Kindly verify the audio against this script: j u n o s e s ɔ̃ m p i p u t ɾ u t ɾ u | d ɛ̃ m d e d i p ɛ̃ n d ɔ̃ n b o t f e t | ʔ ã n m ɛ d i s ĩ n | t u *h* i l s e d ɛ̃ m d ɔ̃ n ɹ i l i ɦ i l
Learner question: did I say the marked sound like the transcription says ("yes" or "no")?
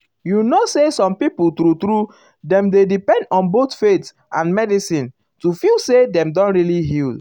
no